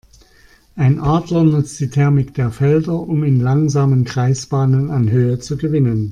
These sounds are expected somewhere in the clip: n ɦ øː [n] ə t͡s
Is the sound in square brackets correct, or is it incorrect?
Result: incorrect